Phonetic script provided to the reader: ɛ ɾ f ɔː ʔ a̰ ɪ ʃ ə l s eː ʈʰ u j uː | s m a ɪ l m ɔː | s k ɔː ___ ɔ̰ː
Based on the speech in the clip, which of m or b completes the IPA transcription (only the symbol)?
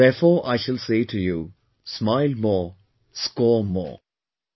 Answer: m